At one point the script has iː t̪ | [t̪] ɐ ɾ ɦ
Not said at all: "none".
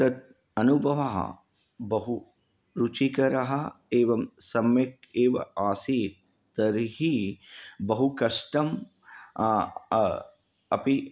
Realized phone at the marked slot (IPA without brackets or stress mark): t̪